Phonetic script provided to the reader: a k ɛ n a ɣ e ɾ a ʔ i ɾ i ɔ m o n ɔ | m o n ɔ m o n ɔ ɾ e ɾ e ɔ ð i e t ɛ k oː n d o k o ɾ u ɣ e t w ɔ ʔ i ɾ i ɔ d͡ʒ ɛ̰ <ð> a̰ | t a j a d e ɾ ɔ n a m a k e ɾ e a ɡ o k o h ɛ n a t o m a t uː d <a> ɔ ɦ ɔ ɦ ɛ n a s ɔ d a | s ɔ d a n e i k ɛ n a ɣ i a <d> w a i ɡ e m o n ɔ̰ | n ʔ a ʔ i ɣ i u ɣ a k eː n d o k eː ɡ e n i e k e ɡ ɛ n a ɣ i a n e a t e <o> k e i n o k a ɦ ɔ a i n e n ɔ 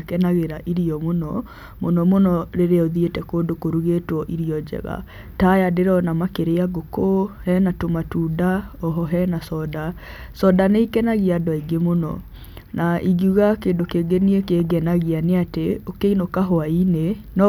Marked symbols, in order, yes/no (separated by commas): no, yes, yes, yes